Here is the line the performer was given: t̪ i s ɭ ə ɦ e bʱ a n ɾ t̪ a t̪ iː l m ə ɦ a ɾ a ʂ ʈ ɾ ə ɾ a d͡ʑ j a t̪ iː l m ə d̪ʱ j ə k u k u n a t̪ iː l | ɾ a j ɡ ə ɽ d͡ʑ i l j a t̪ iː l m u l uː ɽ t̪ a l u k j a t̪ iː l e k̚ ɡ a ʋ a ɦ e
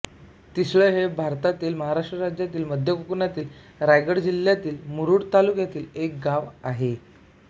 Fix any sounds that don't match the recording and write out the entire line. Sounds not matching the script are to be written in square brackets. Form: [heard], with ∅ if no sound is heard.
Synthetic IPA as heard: t̪ i s ɭ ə ɦ e bʱ a [∅] ɾ t̪ a t̪ iː l m ə ɦ a ɾ a ʂ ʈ ɾ ə ɾ a d͡ʑ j a t̪ iː l m ə d̪ʱ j ə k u k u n a t̪ iː l | ɾ a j ɡ ə ɽ d͡ʑ i l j a t̪ iː l m u [ɾ] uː ɽ t̪ a l u k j a t̪ iː l e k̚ ɡ a ʋ a ɦ e